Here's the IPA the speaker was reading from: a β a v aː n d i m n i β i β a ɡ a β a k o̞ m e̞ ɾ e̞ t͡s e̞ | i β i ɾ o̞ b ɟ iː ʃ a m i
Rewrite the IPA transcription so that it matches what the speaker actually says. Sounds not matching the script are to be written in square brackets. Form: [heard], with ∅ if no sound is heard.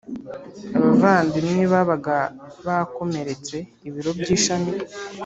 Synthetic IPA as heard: a β a v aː n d i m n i β [a] β a ɡ a β a k o̞ m e̞ ɾ e̞ t͡s e̞ | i β i ɾ o̞ b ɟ iː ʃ a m i